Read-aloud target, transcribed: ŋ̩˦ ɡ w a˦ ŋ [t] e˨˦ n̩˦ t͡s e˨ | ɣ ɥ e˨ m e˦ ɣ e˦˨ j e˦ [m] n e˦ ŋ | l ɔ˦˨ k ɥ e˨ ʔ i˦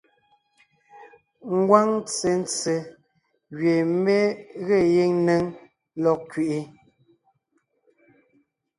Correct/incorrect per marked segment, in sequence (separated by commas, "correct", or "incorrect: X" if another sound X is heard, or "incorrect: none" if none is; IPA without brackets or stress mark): incorrect: t͡s, incorrect: ŋ